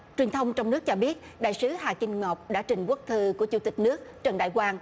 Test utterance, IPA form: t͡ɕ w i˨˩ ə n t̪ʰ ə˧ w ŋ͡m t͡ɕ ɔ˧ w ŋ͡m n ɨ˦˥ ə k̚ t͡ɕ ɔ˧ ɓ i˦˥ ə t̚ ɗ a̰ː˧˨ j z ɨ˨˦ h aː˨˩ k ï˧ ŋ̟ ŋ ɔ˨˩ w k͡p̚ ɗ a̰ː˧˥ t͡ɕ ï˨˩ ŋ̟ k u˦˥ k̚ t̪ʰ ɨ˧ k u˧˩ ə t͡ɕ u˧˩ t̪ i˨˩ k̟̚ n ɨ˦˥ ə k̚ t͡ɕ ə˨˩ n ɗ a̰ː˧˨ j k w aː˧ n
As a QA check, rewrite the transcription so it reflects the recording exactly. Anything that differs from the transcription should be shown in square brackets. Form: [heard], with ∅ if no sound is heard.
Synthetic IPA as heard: t͡ɕ w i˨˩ ə n t̪ʰ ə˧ w ŋ͡m t͡ɕ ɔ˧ w ŋ͡m n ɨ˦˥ ə k̚ t͡ɕ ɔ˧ ɓ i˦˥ ə t̚ ɗ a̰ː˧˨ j [s] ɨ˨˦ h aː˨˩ k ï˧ ŋ̟ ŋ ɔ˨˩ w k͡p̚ ɗ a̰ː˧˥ t͡ɕ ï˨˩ ŋ̟ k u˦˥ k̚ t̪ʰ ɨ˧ k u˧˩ ə t͡ɕ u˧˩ t̪ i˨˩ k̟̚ n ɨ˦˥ ə k̚ t͡ɕ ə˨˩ n ɗ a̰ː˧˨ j k w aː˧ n

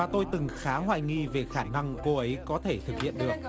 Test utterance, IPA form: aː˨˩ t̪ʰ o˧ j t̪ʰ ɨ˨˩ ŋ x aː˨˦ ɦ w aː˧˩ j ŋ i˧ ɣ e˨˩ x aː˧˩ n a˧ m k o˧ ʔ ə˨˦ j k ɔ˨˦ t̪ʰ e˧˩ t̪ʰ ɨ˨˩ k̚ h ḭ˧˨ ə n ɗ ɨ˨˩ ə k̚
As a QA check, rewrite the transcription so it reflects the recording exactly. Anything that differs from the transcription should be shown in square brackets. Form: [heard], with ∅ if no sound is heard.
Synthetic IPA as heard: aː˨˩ [t̪] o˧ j [t̪] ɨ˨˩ ŋ x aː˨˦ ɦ w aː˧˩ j ŋ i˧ [v] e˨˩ x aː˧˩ n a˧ [ŋ] k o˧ ʔ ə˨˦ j k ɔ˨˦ t̪ʰ e˧˩ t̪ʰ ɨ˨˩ k̚ h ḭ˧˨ ə n ɗ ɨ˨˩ ə k̚

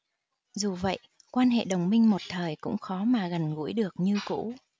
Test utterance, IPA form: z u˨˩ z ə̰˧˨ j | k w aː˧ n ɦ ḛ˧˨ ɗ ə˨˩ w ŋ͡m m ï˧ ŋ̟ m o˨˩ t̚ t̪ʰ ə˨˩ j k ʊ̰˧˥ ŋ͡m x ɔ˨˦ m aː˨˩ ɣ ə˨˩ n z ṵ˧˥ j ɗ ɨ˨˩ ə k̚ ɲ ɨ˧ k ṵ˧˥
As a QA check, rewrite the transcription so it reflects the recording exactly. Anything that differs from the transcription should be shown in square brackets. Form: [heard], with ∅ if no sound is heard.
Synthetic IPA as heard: z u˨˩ [v] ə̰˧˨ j | k w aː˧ n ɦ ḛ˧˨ ɗ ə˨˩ w ŋ͡m m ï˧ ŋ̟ m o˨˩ t̚ t̪ʰ [əː˨˩] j k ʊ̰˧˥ ŋ͡m x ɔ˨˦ m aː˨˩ ɣ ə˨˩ n [ɣ] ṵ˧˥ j ɗ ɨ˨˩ ə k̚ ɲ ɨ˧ k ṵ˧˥

